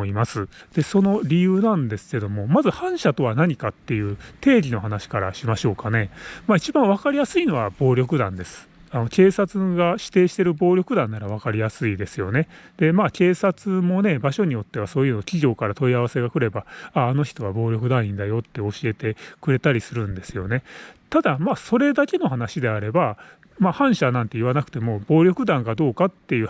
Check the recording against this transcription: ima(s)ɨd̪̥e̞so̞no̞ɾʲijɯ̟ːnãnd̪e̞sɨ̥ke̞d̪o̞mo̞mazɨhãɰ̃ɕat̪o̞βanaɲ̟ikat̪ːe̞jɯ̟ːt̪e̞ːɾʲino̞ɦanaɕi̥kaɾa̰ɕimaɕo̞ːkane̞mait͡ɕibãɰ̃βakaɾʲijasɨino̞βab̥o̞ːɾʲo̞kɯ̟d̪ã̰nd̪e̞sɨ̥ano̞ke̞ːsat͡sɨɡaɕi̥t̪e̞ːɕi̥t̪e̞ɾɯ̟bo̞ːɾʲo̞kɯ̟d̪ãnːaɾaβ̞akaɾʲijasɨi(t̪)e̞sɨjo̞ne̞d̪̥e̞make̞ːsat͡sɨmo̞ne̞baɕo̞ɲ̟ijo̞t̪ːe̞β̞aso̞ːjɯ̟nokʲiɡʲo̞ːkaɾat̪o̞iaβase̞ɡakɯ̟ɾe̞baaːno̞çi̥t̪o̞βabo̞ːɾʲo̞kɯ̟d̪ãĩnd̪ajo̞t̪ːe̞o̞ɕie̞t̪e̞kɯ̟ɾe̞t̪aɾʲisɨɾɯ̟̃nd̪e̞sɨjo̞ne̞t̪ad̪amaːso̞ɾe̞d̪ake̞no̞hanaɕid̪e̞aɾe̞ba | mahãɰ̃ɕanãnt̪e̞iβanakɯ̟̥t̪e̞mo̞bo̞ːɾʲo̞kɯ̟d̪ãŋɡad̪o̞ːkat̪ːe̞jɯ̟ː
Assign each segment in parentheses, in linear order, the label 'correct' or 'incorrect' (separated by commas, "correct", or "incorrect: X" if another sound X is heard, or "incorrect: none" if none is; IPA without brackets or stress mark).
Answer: correct, incorrect: d̪